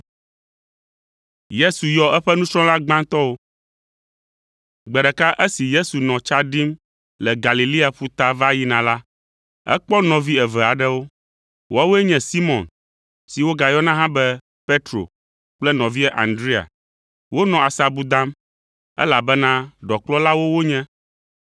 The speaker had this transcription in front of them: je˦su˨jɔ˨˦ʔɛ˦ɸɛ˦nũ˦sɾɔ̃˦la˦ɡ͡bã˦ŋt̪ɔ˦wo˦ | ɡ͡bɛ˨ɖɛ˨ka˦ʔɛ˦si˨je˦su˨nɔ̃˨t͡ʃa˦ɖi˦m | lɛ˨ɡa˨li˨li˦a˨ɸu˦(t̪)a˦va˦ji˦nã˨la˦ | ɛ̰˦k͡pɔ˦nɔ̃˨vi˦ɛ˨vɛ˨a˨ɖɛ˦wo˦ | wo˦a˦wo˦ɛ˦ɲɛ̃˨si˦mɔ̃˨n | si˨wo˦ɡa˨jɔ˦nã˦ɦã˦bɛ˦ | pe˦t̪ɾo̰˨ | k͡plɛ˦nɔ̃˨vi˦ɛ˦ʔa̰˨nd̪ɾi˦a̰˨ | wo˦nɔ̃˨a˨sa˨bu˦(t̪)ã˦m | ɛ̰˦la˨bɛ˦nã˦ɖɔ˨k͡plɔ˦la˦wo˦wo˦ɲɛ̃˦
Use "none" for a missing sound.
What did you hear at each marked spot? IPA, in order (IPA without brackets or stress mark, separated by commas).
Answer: t̪, d̪